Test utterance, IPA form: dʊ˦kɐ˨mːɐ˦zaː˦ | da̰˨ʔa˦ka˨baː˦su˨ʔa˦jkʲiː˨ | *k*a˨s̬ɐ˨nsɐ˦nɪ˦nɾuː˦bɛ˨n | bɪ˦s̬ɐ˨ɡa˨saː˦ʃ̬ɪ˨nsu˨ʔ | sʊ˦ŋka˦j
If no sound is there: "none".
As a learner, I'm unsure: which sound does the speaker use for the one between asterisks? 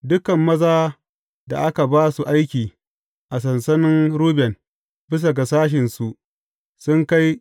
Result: ʔ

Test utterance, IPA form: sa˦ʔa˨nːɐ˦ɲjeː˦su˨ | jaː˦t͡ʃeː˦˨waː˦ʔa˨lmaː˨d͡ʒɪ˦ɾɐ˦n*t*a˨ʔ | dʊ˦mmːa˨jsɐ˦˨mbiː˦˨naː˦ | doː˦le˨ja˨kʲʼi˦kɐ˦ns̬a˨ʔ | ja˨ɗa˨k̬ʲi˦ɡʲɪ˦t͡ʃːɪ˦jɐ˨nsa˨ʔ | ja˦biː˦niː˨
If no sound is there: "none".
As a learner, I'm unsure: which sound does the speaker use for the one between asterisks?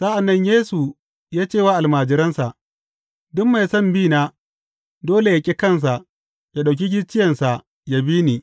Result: s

